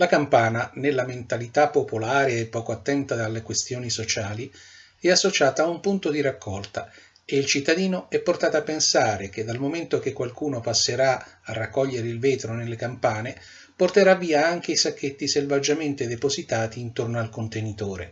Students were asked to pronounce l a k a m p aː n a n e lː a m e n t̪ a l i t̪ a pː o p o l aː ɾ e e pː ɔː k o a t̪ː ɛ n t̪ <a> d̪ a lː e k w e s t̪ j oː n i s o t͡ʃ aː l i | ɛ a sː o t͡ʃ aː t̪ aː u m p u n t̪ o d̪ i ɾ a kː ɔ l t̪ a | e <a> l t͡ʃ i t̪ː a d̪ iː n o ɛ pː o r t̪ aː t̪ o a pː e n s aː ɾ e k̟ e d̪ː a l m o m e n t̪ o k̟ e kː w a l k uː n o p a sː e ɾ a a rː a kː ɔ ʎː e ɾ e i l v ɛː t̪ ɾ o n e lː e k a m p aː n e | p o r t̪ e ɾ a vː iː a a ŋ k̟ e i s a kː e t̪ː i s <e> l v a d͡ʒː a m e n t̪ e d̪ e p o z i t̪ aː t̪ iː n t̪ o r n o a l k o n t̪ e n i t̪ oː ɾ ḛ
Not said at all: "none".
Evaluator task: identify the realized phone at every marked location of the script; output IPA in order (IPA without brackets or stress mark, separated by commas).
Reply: a, i, e